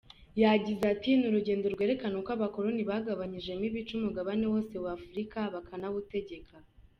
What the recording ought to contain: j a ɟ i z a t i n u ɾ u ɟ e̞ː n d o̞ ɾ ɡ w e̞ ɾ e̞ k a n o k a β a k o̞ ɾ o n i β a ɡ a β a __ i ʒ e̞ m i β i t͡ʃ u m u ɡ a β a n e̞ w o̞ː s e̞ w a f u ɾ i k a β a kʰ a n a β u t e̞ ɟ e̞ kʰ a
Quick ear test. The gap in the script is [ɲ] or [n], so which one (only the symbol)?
ɲ